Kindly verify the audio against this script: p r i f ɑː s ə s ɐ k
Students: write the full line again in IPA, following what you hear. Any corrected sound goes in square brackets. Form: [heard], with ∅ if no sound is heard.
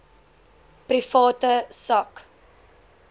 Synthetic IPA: p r i f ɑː [t] ə s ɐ k